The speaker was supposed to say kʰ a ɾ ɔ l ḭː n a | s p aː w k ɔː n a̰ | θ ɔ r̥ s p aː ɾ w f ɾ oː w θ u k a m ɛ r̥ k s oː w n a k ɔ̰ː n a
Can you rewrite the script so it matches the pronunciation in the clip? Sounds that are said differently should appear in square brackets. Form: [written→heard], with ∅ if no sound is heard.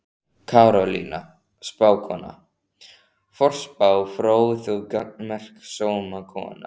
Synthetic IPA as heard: kʰ a ɾ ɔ l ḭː n a | s p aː w [k→kʰ] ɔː n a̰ | [θ→f] ɔ r̥ s p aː [ɾ→∅] w f ɾ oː w θ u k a m ɛ r̥ k s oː w [n→m] a [k→kʰ] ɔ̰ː n a